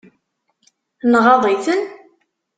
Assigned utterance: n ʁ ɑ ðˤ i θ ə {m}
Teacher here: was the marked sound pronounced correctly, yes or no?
no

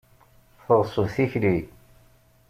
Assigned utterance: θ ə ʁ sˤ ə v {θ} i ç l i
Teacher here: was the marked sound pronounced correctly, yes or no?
yes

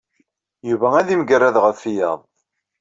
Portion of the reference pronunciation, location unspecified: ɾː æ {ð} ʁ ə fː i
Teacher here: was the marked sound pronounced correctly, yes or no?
yes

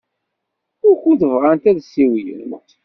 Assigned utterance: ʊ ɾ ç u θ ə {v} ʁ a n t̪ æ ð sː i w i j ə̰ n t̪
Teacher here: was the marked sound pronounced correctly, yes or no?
yes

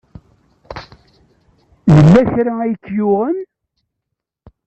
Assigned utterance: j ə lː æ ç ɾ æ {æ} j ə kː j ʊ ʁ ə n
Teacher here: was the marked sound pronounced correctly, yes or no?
yes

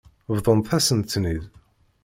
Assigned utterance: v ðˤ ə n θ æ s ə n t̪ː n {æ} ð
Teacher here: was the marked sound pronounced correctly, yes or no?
no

